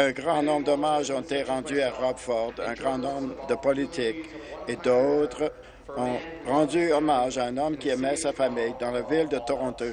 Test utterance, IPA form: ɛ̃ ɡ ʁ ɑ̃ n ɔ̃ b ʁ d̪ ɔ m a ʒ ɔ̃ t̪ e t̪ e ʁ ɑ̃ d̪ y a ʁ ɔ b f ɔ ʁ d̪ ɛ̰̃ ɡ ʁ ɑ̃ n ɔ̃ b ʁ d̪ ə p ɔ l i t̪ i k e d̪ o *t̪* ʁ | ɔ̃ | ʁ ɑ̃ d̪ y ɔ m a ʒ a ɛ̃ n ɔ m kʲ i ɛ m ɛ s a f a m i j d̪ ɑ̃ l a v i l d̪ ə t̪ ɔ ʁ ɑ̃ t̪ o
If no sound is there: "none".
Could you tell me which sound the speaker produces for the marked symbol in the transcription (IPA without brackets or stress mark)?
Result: t̪